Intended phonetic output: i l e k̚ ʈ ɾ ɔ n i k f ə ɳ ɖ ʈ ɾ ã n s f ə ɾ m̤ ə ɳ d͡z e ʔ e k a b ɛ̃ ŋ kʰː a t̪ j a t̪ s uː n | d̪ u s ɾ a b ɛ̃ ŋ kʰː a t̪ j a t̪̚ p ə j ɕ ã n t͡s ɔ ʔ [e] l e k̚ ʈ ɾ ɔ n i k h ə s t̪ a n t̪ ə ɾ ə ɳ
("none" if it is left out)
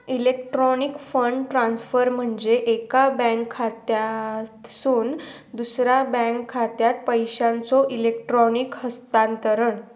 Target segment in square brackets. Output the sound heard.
i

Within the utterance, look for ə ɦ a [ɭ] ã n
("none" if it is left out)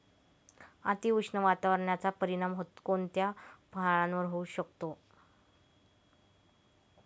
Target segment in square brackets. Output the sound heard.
ɭ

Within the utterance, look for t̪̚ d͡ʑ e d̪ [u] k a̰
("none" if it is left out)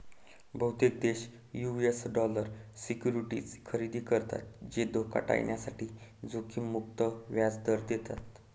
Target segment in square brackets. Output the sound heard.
o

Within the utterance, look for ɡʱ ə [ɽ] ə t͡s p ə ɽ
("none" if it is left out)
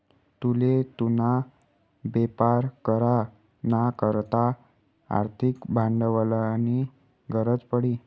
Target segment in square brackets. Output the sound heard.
ɾ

